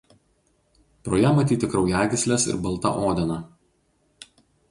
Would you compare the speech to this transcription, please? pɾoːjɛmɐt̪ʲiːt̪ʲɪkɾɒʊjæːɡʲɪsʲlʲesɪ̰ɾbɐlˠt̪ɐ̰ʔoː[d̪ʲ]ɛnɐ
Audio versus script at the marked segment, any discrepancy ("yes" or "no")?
no